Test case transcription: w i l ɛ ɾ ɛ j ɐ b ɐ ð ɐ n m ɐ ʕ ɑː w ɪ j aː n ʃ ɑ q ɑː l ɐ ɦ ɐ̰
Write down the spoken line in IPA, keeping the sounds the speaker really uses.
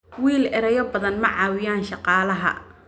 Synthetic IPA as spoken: w iː l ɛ ɾ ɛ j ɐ b ɐ ð ɐ n m ɐ ʕ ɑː w ɪ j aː n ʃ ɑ q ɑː l ɐ ɦ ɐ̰